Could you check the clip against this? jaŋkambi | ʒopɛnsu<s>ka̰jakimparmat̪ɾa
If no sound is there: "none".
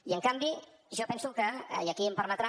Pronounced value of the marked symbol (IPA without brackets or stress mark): none